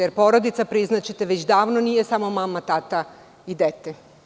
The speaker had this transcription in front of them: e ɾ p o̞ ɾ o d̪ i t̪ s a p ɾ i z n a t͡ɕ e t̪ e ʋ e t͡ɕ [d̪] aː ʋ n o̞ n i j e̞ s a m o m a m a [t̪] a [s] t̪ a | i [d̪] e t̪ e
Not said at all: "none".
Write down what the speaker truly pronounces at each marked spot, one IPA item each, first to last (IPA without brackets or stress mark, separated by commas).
d̪, t̪, none, d̪